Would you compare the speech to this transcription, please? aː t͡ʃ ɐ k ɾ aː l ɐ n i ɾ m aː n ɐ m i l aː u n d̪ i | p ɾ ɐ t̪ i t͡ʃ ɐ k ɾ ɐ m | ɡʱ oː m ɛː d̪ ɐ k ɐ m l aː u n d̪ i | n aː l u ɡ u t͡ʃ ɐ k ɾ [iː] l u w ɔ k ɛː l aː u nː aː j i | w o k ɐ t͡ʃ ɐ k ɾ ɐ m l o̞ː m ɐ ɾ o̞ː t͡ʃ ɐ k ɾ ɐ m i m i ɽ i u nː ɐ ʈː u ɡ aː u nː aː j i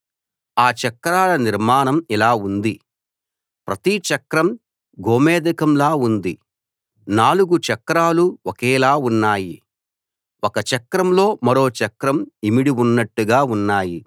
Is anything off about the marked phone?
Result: yes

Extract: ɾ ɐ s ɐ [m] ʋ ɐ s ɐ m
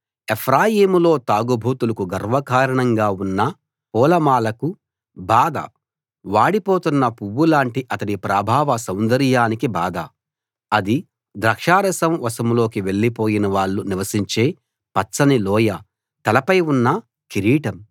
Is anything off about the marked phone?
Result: no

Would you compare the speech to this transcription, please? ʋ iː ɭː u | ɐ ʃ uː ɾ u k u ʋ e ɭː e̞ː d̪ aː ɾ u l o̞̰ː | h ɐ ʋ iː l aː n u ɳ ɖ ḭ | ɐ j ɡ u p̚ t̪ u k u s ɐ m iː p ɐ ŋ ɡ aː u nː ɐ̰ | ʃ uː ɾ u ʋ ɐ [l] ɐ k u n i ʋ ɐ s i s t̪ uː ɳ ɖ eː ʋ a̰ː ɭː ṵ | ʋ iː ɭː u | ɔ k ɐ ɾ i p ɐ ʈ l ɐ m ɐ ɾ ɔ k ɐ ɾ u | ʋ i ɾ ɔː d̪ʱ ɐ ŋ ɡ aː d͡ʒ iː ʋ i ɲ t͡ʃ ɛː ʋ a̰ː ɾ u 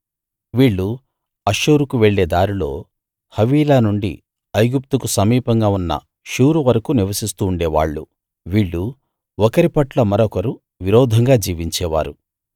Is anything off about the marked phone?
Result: yes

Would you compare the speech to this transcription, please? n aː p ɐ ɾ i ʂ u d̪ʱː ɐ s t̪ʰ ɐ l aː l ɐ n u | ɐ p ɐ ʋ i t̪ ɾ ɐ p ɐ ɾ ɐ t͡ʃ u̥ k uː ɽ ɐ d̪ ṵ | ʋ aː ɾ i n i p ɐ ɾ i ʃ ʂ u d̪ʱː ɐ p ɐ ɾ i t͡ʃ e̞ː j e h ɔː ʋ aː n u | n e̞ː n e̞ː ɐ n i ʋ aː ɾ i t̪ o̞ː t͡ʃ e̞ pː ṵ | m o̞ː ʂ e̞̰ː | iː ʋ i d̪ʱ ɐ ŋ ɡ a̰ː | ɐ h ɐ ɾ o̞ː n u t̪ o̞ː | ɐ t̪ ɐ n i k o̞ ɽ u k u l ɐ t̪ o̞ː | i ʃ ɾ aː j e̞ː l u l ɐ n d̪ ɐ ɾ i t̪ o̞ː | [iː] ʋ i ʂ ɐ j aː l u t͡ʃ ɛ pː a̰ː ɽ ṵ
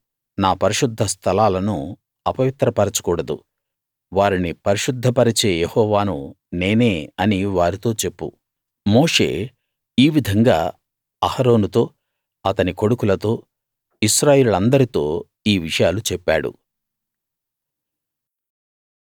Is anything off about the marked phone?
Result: no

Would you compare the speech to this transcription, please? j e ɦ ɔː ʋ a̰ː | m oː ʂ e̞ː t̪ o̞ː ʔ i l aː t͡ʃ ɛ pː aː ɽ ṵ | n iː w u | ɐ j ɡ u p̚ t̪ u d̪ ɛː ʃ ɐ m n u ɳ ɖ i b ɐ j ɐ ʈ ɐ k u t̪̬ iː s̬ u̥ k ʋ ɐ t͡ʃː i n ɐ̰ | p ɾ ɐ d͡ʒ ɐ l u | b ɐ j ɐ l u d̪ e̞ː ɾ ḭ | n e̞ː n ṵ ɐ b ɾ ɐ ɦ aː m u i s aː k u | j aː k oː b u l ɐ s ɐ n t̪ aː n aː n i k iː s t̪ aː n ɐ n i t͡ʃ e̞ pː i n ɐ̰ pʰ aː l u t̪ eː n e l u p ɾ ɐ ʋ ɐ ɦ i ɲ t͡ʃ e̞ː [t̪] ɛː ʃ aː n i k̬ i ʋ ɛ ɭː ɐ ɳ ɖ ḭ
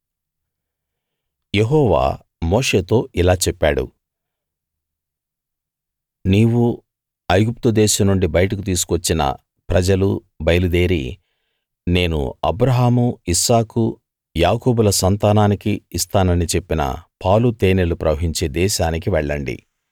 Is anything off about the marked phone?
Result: yes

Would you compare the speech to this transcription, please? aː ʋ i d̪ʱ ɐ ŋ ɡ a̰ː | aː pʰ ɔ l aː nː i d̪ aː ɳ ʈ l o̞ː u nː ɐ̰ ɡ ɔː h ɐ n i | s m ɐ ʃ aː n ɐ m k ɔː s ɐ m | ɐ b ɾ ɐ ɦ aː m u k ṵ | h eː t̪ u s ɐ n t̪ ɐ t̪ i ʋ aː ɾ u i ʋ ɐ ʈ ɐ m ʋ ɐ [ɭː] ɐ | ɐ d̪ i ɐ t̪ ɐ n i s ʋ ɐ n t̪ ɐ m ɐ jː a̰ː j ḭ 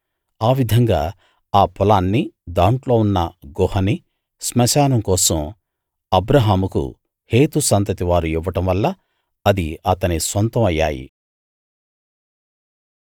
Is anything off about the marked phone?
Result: yes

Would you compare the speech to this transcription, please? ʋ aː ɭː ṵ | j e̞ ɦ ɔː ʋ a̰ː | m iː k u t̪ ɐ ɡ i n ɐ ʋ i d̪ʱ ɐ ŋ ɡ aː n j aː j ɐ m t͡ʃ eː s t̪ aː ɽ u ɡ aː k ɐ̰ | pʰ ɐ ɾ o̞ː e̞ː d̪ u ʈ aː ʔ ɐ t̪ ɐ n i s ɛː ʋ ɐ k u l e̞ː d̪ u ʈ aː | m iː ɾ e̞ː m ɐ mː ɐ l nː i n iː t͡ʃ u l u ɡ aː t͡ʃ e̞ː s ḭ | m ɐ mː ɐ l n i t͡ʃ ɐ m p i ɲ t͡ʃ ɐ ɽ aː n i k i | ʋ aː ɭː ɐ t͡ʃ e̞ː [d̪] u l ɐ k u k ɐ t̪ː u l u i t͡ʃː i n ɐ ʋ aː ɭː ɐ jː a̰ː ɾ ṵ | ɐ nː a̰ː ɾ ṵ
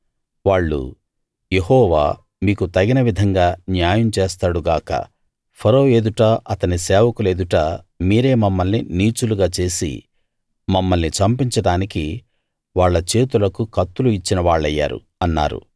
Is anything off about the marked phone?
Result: yes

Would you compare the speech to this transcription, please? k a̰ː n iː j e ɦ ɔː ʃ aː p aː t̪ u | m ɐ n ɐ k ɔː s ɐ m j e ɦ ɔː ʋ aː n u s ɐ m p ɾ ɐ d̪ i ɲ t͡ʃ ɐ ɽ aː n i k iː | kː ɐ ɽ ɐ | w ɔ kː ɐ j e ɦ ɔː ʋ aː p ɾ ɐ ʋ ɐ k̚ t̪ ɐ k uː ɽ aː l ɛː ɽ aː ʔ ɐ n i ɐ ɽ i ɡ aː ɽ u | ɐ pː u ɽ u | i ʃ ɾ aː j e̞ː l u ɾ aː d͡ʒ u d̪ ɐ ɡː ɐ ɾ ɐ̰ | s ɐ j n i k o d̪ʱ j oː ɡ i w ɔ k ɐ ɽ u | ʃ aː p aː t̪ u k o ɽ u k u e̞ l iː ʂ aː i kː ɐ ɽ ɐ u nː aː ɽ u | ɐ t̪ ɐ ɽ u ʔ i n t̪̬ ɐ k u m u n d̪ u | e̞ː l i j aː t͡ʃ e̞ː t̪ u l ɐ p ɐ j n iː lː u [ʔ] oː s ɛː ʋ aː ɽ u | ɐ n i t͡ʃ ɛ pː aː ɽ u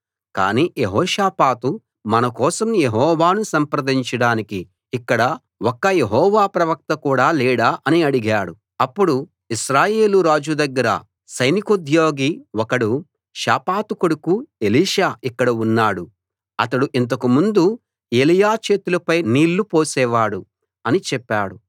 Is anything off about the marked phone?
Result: yes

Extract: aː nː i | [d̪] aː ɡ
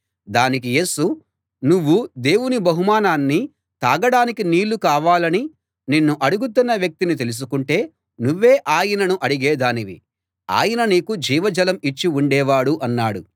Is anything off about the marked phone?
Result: yes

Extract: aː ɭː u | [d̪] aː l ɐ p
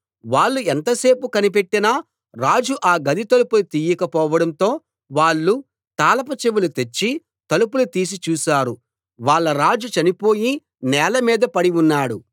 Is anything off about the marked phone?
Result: yes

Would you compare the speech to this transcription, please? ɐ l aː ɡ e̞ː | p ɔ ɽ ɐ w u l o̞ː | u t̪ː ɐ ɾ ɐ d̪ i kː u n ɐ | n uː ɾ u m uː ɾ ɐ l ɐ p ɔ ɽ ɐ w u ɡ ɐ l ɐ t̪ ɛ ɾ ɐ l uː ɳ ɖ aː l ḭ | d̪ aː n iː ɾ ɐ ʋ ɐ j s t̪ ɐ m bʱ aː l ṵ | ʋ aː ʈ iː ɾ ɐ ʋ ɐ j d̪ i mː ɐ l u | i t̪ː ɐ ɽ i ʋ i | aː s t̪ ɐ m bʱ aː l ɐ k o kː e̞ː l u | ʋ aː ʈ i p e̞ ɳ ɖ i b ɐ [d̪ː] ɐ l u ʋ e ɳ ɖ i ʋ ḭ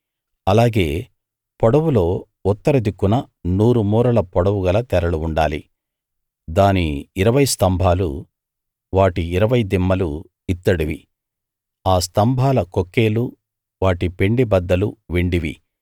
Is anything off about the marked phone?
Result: no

